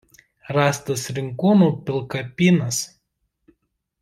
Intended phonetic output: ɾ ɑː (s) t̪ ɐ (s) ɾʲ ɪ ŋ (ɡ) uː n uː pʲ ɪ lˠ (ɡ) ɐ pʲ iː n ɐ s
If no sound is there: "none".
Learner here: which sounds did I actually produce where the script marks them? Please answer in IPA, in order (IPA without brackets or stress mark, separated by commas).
s, s, k, k